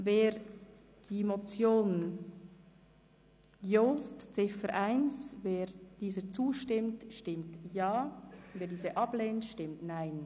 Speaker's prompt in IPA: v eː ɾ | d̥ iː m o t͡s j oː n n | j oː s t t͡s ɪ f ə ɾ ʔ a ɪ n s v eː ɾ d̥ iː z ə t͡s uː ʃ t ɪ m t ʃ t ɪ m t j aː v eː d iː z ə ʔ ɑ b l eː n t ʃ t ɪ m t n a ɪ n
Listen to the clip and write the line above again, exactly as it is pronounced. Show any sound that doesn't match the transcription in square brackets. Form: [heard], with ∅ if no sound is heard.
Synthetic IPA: v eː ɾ | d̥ iː m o t͡s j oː n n | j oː s t t͡s ɪ f ə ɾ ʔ a ɪ n s v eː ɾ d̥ iː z ə t͡s uː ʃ t ɪ m t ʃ t ɪ m t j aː v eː d iː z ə ʔ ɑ b l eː n t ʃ t ɪ m t n a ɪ n